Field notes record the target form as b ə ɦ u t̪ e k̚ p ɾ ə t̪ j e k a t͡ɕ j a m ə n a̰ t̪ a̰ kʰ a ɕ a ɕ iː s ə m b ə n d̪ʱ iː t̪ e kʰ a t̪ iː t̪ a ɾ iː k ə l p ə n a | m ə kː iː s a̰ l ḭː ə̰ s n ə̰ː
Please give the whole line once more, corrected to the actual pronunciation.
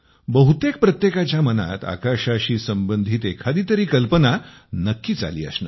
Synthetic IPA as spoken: b ə ɦ u t̪ e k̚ p ɾ ə t̪ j e k a t͡ɕ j a m ə n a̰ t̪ a̰ k a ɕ a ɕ iː s ə m b ə n d̪ʱ iː t̪ e kʰ a d̪ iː t̪ ə ɾ iː k ə l p ə n a | n ə kː iː t͡s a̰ l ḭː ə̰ s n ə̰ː

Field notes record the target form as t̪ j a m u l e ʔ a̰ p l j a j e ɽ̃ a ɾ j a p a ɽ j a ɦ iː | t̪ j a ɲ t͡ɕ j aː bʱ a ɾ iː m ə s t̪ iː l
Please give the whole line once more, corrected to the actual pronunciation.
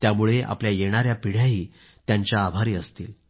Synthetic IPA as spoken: t̪ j a m u ɭ e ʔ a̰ p l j a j e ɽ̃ a ɾ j a p i ɽ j a ɦ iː | t̪ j a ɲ t͡ɕ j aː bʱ a ɾ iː ə s t̪ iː l

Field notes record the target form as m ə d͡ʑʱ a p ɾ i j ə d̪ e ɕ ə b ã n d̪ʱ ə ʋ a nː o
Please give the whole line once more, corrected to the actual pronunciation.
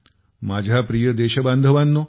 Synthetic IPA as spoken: m a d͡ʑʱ a p ɾ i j ə d̪ e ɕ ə b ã n d̪ʱ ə ʋ a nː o

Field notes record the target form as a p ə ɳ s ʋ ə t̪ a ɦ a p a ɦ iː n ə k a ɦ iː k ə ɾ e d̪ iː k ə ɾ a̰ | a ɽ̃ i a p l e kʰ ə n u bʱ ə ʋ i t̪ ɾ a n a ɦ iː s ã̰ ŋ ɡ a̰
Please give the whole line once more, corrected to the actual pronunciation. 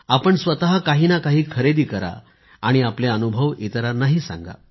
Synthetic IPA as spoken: a p ə ɳ s ʋ ə t̪ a ɦ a k a ɦ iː n a k a ɦ iː kʰ ə ɾ e d̪ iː k ə ɾ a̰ | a ɽ̃ i a p l e ə n u bʱ ə ʋ i t̪ ɾ a n a ɦ iː s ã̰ ŋ ɡ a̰

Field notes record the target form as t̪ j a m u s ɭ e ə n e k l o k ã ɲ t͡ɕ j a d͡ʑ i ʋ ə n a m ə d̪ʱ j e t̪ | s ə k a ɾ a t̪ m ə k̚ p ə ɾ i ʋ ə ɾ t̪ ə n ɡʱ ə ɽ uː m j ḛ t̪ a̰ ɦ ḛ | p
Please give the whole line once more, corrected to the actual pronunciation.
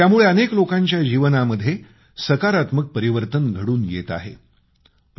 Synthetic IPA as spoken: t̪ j a m u ɭ e ə n e k l o k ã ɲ t͡ɕ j a d͡ʑ i ʋ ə n a m ə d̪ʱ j e | s ə k a ɾ a t̪ m ə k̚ p ə ɾ i ʋ ə ɾ t̪ ə n ɡʱ ə ɽ uː n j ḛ t̪ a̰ ɦ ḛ | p

